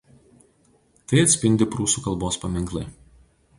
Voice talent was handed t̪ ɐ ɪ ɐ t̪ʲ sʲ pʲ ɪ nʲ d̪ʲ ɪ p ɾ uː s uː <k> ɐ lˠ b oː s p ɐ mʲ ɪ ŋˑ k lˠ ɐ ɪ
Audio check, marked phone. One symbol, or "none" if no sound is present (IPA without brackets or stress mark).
k